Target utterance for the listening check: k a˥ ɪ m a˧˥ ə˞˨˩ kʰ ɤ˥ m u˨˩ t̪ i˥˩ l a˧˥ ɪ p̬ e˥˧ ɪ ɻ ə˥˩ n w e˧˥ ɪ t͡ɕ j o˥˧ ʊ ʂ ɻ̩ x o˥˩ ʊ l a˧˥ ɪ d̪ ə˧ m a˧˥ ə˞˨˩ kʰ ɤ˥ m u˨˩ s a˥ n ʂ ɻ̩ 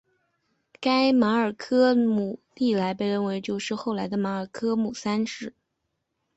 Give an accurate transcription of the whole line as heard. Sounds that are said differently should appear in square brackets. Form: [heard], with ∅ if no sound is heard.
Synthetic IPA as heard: k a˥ ɪ m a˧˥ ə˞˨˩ kʰ ɤ˥ m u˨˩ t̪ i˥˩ l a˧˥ ɪ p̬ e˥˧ ɪ ɻ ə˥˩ n w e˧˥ ɪ t͡ɕ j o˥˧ ʊ ʂ ɻ̩ x o˥˩ ʊ l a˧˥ ɪ d̪ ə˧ m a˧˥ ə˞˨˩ kʰ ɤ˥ m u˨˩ s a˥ n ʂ ɻ̩